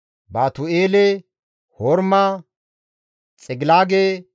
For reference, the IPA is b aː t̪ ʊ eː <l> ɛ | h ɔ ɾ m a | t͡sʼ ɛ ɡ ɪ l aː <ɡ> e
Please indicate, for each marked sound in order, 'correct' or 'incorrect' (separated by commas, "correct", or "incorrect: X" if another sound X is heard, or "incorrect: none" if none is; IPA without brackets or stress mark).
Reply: correct, correct